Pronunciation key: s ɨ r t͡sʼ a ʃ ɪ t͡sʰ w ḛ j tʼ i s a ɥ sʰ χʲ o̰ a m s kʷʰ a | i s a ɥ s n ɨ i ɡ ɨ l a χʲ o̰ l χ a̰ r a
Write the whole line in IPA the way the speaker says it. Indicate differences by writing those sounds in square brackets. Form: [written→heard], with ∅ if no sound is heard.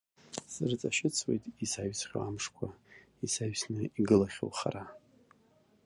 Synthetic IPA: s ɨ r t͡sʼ a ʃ ɪ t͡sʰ w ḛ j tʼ i s a ɥ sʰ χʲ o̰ a m [s→ʂ] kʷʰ a | i s a ɥ s n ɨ i ɡ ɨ l a χʲ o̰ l χ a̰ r a